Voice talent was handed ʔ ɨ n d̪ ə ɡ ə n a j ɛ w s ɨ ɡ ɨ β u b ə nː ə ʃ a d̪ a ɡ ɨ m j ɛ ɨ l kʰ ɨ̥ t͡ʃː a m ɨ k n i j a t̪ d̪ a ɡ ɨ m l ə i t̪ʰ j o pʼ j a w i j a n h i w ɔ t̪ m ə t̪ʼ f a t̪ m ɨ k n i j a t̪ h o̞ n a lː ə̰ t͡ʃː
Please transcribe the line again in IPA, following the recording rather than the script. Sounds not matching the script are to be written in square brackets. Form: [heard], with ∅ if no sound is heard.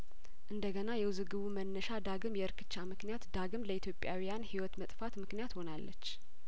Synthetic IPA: ʔ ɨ n d̪ ə ɡ ə n a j ɛ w [z] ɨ ɡ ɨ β u [m] ə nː ə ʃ a d̪ a ɡ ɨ m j ɛ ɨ [ɾ] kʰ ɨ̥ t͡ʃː a m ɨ k n i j a t̪ d̪ a ɡ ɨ m l ə i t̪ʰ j o pʼ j a w i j a n h i w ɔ t̪ m ə t̪ʼ f a t̪ m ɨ k n i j a t̪ h o̞ n a lː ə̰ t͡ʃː